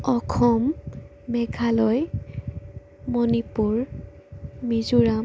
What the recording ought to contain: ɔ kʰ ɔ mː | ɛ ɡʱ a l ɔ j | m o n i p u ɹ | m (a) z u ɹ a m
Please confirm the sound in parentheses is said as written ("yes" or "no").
no